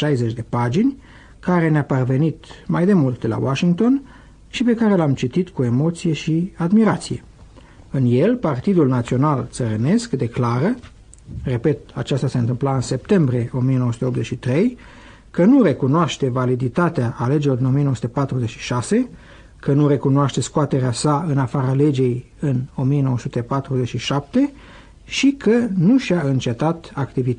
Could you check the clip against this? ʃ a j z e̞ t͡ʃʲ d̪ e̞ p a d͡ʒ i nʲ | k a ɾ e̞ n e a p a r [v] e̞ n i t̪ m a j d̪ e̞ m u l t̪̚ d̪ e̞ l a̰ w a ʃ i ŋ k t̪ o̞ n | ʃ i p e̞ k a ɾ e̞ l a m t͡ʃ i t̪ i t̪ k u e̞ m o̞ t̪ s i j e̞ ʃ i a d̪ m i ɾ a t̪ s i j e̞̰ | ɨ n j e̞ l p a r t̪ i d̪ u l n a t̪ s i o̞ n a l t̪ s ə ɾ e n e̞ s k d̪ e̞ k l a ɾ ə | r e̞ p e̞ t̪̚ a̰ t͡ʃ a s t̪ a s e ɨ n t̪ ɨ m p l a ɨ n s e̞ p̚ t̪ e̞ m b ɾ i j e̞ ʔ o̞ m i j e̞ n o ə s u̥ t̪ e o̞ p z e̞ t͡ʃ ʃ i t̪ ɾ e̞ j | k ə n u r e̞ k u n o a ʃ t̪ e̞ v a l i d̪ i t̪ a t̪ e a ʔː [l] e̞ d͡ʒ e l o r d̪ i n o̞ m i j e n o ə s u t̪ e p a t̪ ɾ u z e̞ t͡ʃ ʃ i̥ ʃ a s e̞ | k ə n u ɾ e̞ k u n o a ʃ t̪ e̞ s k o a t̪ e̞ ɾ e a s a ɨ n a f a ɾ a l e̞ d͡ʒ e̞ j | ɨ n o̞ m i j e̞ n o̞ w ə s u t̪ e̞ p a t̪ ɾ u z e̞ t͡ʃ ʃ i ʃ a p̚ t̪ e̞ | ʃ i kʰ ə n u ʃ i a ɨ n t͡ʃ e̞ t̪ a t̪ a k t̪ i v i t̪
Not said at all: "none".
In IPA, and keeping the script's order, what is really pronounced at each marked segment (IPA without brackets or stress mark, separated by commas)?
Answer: v, l